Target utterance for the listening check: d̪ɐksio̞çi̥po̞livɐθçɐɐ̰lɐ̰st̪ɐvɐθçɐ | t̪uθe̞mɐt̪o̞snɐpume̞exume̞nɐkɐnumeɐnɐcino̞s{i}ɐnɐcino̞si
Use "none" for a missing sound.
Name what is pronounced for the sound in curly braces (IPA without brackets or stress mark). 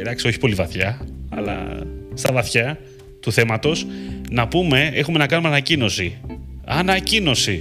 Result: i